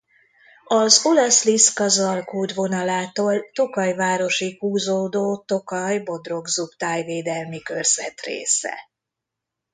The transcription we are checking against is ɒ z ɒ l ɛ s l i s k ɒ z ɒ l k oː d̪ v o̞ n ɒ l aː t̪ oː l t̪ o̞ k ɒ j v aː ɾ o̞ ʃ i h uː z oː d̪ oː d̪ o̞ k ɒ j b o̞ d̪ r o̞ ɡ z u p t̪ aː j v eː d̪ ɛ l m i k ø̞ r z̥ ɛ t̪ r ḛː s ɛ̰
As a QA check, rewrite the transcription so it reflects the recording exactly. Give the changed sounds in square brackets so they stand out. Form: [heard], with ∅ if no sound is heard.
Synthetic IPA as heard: ɒ z [o] l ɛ s l i s k ɒ z ɒ l k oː d̪ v o̞ n ɒ l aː t̪ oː l t̪ o̞ k ɒ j v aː ɾ o̞ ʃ i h uː z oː d̪ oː [t̪] o̞ k ɒ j b o̞ d̪ r o̞ ɡ z u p t̪ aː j v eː d̪ ɛ l m i k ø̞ r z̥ ɛ t̪ r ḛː s ɛ̰